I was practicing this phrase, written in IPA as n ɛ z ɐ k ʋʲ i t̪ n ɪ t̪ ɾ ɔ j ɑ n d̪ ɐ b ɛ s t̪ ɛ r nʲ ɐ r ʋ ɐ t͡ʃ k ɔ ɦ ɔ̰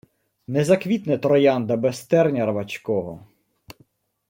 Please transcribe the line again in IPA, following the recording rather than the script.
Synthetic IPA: n ɛ z ɐ k ʋʲ i t̪ n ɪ t̪ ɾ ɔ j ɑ n d̪ ɐ b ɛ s t̪ ɛ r nʲ ɐ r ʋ ɐ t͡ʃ k ɔ ɦ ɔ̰

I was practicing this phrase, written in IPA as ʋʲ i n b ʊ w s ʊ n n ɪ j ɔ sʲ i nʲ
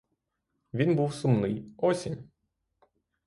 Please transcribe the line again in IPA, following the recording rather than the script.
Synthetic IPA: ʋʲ i n b u w s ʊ m n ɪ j ɔ sʲ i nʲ

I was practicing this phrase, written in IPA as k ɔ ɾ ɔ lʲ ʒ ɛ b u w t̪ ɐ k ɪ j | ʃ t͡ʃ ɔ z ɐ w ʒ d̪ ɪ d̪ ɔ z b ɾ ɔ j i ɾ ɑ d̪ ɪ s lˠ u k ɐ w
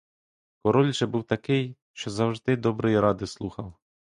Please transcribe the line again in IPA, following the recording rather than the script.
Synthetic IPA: k ɔ ɾ ɔ lʲ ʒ ɛ b u w t̪ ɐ k ɪ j | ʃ t͡ʃ ɔ z ɐ w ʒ d̪ ɪ d̪ ɔ b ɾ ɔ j i ɾ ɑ d̪ ɪ s lˠ u x ɐ w

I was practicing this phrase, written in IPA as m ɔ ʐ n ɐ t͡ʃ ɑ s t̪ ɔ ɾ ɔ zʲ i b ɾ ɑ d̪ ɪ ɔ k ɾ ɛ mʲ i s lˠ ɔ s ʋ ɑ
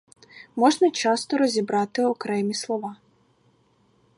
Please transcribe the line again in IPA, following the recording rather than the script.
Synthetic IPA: m ɔ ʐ n ɐ t͡ʃ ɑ s t̪ ɔ ɾ ɔ zʲ i b ɾ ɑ t̪ ɪ ɔ k ɾ ɛ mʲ i s lˠ ɔ ʋ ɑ

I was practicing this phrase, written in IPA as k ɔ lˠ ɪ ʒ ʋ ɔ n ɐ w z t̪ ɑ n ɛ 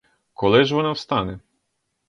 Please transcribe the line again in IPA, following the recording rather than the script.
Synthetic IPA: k ɔ lˠ ɪ ʒ ʋ ɔ n ɑ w s t̪ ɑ n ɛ

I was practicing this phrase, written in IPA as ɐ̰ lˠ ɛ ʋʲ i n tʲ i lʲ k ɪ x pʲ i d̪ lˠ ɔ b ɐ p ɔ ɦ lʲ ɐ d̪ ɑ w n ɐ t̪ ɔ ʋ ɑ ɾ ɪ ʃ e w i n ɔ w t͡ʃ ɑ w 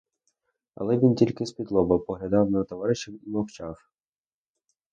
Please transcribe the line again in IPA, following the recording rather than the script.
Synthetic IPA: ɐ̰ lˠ ɛ ʋʲ i n tʲ i lʲ k ɪ s pʲ i d̪ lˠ ɔ b ɐ p ɔ ɦ lʲ ɐ d̪ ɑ w n ɐ t̪ ɔ ʋ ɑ ɾ ɪ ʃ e w i m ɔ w t͡ʃ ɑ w

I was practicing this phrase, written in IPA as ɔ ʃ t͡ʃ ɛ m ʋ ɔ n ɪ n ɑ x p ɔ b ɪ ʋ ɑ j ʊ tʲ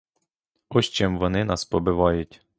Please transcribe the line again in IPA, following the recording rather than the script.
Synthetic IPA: ɔ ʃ t͡ʃ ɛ m ʋ ɔ n ɪ n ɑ s p ɔ b ɪ ʋ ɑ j ʊ tʲ

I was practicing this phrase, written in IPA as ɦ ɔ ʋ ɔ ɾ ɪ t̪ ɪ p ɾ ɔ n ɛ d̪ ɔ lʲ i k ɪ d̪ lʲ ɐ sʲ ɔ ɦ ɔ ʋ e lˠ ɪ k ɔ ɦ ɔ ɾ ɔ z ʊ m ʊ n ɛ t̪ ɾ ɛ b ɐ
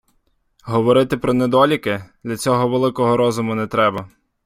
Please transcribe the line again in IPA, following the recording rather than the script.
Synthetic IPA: ɦ ɔ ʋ ɔ ɾ ɪ t̪ ɪ p ɾ ɔ n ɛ d̪ ɔ lʲ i k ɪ d̪ lʲ ɐ t͡sʲ ɔ ɦ ɔ ʋ e lˠ ɪ k ɔ ɦ ɔ ɾ ɔ z ʊ m ʊ n ɛ t̪ ɾ ɛ b ɐ

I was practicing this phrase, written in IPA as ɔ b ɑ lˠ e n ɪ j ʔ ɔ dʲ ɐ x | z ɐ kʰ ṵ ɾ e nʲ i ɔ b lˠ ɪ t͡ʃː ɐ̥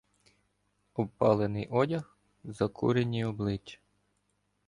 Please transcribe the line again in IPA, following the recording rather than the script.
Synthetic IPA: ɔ p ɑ lˠ e n ɪ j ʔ ɔ dʲ ɐ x | z ɐ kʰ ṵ ɾ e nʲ i ɔ b lˠ ɪ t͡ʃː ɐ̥

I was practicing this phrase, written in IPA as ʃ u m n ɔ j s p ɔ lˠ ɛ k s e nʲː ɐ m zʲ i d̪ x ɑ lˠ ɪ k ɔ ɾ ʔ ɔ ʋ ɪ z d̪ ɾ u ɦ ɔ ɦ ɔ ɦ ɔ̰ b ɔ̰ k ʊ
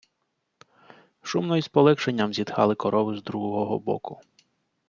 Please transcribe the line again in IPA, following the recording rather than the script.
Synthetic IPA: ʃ u m n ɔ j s p ɔ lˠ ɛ k ʃ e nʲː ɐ m zʲ i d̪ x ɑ lˠ ɪ k ɔ ɾ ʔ ɔ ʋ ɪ z d̪ ɾ u ɦ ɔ ɦ ɔ ɦ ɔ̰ b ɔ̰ k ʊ

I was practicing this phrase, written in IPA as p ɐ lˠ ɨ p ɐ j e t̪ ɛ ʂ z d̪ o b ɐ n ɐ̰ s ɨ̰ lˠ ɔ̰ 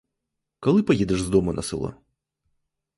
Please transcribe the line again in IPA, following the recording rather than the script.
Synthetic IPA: k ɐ lˠ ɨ p ɐ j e d̪ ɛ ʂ z d̪ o m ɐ n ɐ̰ s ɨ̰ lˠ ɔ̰

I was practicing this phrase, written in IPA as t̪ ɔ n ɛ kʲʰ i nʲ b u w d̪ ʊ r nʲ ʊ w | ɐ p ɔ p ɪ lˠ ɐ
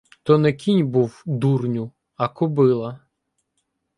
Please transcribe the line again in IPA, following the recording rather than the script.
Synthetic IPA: t̪ ɔ n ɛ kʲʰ i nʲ b u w d̪ u r nʲ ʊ | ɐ k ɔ b ɪ lˠ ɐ

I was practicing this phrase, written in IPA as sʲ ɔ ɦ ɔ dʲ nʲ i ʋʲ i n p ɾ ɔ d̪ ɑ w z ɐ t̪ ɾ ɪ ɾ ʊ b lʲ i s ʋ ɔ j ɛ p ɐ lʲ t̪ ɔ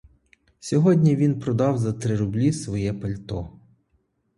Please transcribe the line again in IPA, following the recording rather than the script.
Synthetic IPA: sʲ ɔ ɦ ɔ dʲ nʲ i ʋʲ i n p ɾ ɔ d̪ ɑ w z ɐ t̪ ɾ ɪ ɾ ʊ b lʲ i s ʋ ɔ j ɛ p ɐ lʲ t̪ ɔ

